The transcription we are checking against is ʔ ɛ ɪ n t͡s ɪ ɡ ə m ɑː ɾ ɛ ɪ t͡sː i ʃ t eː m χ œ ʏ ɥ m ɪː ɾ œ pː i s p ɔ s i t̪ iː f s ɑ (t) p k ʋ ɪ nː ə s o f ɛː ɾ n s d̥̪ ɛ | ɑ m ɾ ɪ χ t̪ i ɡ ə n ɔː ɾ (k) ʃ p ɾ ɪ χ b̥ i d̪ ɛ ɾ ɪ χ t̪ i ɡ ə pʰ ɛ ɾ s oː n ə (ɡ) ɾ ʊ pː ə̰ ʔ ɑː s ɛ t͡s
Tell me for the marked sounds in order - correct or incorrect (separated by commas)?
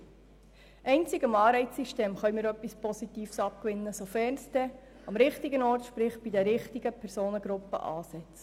incorrect, incorrect, correct